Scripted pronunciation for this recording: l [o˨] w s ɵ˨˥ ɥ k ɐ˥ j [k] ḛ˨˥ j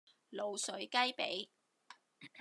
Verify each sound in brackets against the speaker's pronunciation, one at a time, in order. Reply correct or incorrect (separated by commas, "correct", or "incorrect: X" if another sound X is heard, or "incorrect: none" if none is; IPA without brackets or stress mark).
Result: correct, incorrect: p